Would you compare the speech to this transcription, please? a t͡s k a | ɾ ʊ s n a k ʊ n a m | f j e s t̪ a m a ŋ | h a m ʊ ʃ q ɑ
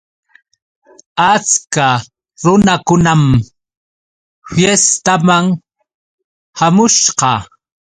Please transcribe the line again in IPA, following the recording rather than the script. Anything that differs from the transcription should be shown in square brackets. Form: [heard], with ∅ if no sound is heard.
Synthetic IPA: a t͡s k a | ɾ ʊ [∅] n a k ʊ n a m | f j e s t̪ a m a ŋ | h a m ʊ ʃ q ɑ